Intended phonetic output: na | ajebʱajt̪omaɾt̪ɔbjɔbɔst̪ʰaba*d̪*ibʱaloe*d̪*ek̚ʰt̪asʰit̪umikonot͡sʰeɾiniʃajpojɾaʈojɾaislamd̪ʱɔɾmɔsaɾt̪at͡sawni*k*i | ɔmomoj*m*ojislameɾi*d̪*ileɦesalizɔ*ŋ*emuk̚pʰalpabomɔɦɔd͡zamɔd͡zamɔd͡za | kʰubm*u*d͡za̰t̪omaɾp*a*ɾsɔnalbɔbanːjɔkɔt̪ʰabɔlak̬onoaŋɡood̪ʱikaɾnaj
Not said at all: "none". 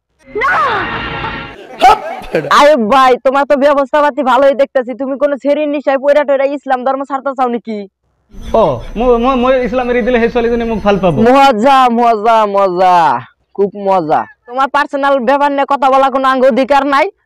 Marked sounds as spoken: t̪, d̪, k, m, d̪, n, ɔ, a

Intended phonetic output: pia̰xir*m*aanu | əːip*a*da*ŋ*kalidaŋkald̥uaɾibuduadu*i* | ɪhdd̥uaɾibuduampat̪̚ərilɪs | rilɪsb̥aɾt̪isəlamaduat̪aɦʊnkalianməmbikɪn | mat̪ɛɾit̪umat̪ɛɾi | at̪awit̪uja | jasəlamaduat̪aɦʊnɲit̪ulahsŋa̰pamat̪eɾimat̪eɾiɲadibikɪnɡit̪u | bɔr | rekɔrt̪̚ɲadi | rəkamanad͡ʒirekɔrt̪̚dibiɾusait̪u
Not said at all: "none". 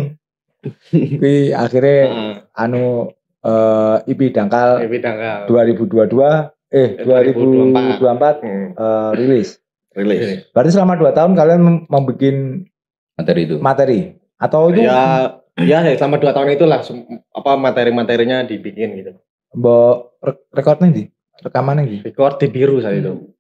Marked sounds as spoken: ɲ, i, ŋ, a

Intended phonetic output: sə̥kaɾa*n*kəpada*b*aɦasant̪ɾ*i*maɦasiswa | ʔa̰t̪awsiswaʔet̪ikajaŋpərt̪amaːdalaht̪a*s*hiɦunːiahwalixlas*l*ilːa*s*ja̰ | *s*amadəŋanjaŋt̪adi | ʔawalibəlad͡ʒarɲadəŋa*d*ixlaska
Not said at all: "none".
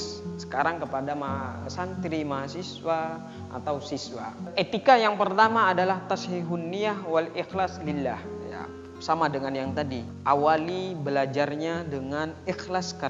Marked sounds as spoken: ŋ, m, i, s, l, h, s, n

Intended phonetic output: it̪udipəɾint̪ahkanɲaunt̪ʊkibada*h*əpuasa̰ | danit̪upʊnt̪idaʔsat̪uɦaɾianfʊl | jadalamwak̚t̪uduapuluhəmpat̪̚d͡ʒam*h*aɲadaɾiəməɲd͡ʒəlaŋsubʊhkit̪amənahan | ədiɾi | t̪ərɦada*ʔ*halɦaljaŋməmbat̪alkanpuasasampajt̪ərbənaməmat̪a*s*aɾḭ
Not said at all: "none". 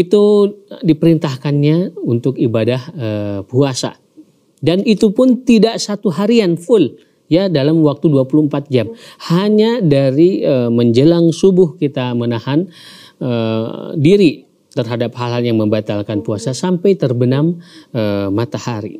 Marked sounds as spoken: h, h, p, h

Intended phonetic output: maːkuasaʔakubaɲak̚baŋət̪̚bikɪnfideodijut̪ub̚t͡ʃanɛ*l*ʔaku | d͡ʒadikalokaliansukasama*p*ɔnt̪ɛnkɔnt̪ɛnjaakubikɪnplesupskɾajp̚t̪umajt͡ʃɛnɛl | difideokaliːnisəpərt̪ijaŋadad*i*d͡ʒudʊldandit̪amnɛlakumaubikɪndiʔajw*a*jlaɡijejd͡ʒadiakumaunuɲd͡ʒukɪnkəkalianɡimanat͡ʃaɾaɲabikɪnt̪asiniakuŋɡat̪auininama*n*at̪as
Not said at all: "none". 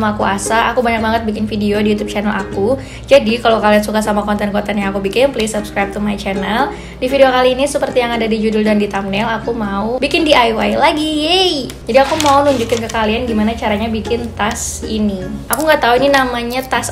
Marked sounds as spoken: l, k, i, a, ɲ

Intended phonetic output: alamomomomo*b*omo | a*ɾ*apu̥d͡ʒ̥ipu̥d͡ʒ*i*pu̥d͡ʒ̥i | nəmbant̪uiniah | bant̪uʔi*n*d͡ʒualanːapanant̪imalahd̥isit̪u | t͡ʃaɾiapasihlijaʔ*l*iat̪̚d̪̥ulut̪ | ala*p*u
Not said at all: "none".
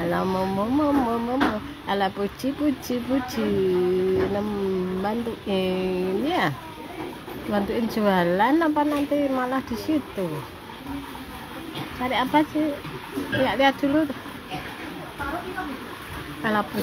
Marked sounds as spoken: m, l, i, n, l, p

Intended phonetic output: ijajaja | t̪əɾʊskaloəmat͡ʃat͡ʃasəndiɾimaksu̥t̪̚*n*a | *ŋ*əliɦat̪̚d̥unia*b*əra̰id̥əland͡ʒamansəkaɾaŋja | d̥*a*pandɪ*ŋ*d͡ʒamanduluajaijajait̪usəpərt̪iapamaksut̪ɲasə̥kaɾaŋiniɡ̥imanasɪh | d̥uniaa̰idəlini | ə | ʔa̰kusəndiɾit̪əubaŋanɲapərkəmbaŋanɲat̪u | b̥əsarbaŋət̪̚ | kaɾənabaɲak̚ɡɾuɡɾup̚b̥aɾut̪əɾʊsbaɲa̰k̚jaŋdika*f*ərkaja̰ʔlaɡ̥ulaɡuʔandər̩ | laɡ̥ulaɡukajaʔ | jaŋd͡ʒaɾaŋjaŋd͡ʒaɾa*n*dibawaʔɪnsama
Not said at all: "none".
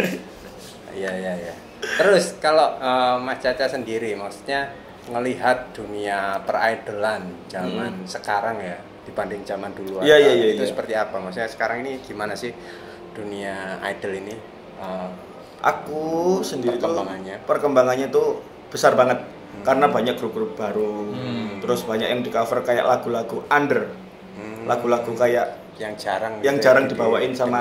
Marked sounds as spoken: ɲ, ŋ, p, i, ŋ, f, ŋ

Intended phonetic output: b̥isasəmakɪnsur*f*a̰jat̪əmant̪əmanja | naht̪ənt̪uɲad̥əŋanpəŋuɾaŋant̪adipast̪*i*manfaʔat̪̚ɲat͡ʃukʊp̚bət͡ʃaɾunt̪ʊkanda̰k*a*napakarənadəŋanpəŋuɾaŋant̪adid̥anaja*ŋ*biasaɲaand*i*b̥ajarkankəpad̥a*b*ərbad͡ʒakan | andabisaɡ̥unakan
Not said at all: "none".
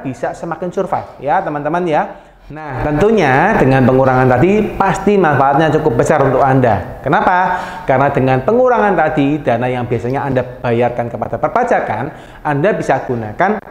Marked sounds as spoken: f, i, ə, ŋ, a, p

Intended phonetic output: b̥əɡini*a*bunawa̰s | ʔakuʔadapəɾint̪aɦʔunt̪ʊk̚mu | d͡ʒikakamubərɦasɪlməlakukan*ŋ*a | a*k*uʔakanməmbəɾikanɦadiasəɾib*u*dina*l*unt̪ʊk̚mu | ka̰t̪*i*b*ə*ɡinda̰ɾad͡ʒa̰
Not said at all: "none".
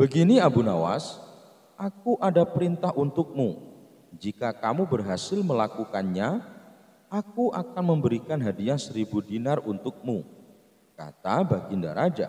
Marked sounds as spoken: a, ɲ, k, u, r, a, a

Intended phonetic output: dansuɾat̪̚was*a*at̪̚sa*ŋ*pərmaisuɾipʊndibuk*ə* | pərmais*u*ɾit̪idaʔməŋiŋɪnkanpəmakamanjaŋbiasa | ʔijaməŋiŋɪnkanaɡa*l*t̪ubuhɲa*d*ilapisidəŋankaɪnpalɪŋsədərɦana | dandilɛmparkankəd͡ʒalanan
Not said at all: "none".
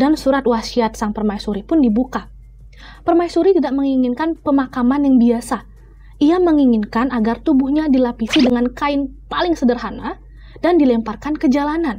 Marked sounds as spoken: i, ŋ, a, u, r, d

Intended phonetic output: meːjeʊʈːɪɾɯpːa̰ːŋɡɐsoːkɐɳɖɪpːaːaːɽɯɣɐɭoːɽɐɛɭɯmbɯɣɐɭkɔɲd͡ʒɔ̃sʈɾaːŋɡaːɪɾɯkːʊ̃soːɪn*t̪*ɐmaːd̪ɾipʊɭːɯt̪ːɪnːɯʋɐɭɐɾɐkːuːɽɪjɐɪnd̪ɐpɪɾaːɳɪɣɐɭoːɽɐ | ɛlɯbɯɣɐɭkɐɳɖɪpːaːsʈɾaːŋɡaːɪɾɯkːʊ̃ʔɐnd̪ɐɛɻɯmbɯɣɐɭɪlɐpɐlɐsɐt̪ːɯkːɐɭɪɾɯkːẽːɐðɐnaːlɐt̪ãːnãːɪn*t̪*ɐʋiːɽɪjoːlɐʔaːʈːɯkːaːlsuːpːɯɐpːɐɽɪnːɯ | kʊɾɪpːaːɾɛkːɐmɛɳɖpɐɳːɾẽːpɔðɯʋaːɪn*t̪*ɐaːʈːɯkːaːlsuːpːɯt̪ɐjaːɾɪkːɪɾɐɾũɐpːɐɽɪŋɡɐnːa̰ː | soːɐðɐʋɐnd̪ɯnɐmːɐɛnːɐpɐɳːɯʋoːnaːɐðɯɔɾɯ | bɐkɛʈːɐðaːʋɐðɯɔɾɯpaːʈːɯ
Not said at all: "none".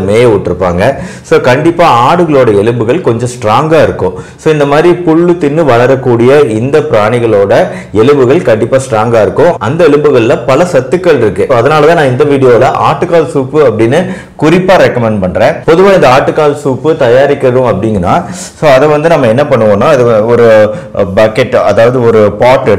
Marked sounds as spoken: d̪, d̪, d̪

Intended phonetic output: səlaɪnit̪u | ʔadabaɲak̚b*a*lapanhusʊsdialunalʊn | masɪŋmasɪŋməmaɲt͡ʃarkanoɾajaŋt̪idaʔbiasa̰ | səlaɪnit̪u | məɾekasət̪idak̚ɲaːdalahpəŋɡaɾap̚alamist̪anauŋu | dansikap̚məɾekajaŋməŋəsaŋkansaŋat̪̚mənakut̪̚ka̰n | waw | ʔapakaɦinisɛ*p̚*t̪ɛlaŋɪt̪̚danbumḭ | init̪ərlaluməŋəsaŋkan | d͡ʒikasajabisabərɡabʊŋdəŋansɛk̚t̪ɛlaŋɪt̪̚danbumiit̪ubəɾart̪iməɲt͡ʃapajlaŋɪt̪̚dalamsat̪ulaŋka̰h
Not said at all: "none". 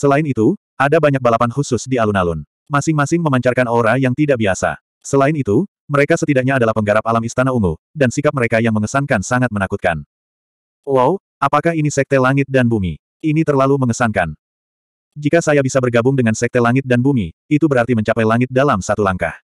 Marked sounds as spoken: a, k̚

